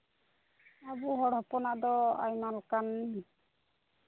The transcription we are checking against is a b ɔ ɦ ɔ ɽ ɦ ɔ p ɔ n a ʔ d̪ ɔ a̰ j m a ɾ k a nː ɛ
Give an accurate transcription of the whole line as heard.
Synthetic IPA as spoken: a b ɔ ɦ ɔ ɽ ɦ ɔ p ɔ n a ʔ d̪ ɔ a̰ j m a l k a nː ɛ